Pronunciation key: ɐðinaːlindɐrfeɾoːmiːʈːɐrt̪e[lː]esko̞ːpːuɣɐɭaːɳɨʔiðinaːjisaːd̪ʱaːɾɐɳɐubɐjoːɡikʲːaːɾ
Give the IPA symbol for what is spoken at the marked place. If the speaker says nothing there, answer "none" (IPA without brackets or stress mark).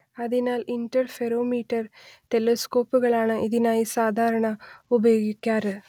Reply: l